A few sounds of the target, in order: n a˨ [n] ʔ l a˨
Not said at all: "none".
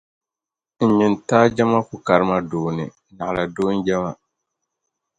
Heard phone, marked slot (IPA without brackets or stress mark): none